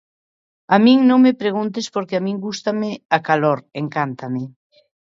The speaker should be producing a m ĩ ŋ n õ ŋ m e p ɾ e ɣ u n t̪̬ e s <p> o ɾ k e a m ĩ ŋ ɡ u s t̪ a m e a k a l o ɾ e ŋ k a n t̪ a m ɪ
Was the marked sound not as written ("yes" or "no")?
no